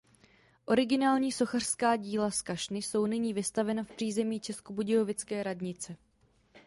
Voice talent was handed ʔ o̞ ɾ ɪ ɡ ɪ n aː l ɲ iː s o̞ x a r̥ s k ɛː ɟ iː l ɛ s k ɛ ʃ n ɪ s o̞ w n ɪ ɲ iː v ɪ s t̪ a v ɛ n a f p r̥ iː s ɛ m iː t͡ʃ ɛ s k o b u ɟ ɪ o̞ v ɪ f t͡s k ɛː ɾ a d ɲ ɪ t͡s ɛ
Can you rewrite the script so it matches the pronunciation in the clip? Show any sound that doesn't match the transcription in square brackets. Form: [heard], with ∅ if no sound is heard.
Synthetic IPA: ʔ o̞ ɾ ɪ ɡ ɪ n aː l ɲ iː s o̞ x a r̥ s k [aː] ɟ iː l [a] s k [a] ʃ n ɪ s o̞ w n ɪ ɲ iː v ɪ s t̪ a v ɛ n a f p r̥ iː [z] ɛ m iː t͡ʃ ɛ s k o b u ɟ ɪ o̞ v ɪ [∅] t͡s k ɛː ɾ a d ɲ ɪ t͡s ɛ